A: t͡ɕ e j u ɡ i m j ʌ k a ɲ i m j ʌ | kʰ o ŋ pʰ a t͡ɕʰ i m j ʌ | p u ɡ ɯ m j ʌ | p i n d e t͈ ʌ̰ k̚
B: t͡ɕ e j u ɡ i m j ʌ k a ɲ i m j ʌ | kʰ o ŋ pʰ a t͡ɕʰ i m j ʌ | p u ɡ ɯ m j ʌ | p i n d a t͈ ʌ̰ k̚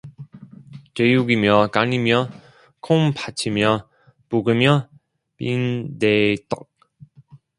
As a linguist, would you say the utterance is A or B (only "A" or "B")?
A